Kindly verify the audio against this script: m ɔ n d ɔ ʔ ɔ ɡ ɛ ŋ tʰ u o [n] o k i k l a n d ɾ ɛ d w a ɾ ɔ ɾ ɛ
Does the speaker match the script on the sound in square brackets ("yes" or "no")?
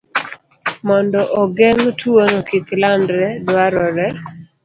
yes